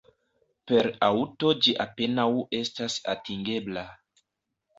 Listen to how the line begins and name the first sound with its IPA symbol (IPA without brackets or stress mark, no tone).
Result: p